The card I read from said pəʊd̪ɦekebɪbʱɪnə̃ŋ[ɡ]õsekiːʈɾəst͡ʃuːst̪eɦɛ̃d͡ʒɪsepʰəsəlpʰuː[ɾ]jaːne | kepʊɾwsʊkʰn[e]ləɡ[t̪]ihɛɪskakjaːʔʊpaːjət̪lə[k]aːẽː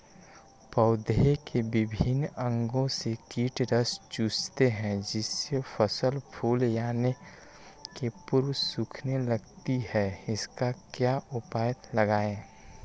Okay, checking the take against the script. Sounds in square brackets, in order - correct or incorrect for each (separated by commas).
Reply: correct, incorrect, correct, correct, incorrect